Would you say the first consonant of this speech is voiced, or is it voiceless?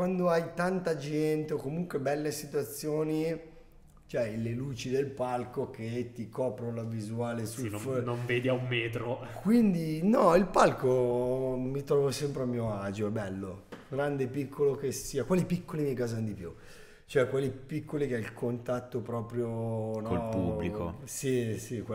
voiceless